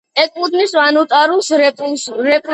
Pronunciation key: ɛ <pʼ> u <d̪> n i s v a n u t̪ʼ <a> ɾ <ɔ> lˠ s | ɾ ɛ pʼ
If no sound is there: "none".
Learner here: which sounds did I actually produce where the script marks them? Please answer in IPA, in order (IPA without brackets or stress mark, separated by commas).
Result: kʼ, d̪, a, u